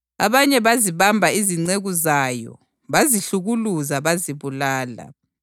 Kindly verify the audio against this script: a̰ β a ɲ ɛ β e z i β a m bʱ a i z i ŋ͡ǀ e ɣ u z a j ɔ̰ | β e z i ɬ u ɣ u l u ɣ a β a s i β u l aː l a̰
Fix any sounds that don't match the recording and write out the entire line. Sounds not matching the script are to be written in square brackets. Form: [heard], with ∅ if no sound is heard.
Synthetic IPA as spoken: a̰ β a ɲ ɛ β [a] z i β a m bʱ a i z i ŋ͡ǀ e ɣ u z a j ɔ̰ | β [a] z i ɬ u ɣ u l u [z] a β a [z] i β u l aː l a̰